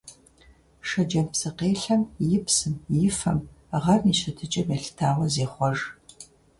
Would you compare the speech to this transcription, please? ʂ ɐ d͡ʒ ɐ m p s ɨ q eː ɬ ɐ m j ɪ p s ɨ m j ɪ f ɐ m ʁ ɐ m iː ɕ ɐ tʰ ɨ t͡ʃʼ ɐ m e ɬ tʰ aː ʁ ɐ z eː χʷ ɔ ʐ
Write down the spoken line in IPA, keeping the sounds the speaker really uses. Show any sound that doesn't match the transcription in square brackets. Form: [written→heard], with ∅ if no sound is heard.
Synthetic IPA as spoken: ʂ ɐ d͡ʒ ɐ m p s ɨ q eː ɬ ɐ m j ɪ p s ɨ m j ɪ f ɐ m ʁ ɐ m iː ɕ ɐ tʰ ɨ t͡ʃʼ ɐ m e ɬ tʰ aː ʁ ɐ z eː χʷ ɔ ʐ